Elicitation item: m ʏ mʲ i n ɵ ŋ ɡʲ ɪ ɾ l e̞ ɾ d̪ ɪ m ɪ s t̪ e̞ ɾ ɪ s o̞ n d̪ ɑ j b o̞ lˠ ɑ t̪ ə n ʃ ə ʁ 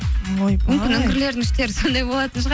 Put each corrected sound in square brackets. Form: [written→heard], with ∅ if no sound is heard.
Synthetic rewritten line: m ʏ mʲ [i→ɪ] n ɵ ŋ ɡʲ ɪ ɾ l e̞ ɾ d̪ ɪ [m→ŋ] ɪ [s→ʃ] t̪ e̞ ɾ ɪ s o̞ n d̪ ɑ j b o̞ lˠ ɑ t̪ ə n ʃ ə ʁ